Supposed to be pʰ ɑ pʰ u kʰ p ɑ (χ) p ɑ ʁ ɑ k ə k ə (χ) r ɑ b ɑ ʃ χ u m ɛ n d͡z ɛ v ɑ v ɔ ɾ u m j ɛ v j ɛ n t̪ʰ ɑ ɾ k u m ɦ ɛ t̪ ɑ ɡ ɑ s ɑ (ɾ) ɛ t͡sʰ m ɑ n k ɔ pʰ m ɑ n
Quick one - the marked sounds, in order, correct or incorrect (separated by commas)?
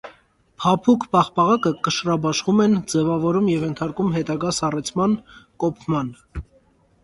correct, incorrect, incorrect